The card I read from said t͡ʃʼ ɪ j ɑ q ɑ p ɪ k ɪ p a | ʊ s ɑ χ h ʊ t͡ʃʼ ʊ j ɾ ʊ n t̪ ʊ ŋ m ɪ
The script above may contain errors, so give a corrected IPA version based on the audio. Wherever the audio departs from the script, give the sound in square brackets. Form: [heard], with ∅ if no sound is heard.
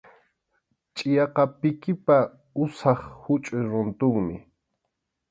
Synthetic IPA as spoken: t͡ʃʼ ɪ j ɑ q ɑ p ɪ k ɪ p a | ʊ s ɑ χ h ʊ t͡ʃʼ ʊ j ɾ ʊ n t̪ ʊ ŋ m ɪ

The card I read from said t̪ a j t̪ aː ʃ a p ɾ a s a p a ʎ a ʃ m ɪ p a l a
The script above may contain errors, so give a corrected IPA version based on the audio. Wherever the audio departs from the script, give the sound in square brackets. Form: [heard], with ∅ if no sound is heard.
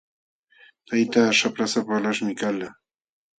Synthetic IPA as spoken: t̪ a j t̪ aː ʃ a p ɾ a s a p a [l] a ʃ m ɪ [k] a l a

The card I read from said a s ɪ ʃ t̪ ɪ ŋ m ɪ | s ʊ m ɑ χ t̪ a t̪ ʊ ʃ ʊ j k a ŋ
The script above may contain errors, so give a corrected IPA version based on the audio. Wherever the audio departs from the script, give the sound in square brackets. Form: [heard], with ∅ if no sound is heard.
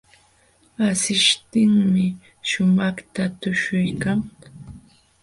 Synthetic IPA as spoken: a s ɪ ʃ t̪ ɪ ŋ m ɪ | [ʃ] ʊ m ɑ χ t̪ a t̪ ʊ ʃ ʊ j k a ŋ

